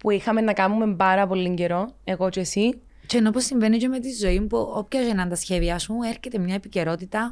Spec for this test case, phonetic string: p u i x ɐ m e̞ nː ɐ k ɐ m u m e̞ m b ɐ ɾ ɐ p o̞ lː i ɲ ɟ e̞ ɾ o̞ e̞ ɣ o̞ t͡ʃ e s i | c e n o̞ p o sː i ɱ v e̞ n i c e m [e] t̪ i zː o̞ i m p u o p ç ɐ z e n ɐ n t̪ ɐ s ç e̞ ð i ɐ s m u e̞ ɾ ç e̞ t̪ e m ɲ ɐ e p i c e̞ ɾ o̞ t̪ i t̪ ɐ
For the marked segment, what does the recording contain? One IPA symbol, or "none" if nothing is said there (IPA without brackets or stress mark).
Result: e